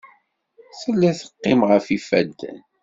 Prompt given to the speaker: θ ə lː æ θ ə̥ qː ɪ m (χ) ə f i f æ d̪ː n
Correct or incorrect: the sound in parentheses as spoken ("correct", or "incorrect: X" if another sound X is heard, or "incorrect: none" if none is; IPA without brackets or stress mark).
incorrect: ʁ